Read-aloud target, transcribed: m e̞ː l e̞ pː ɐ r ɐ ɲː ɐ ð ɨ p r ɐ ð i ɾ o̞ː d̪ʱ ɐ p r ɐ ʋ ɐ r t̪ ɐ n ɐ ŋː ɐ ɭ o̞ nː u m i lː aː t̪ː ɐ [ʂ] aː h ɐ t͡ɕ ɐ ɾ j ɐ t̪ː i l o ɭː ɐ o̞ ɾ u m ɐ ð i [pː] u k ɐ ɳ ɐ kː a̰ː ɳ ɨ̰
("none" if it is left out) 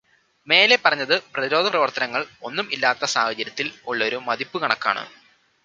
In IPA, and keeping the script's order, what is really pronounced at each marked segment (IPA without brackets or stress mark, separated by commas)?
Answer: s, pː